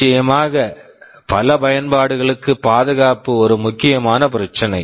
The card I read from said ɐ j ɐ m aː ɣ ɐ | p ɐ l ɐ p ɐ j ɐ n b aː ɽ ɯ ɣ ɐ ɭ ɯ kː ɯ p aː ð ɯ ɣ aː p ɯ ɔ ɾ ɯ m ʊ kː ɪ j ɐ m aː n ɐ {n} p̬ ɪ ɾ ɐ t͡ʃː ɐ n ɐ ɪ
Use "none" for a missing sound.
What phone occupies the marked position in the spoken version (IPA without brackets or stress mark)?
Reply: none